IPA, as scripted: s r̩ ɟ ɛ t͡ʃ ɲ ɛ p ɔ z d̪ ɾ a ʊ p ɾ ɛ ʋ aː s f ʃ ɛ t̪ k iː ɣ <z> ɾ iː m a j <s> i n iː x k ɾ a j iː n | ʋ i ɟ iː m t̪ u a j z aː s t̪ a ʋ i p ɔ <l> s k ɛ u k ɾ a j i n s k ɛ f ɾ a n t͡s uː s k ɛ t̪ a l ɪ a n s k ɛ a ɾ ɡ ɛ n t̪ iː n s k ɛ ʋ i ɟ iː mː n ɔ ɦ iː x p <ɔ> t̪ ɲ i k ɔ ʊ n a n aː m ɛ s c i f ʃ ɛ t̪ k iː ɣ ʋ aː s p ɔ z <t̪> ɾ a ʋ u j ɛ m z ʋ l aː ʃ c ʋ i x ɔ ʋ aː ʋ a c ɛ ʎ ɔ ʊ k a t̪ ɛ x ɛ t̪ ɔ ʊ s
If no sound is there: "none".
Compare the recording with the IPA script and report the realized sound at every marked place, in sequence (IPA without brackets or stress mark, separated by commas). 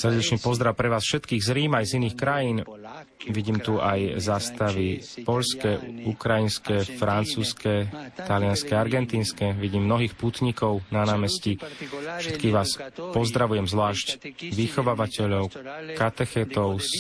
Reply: z, z, ʎ, u, d̪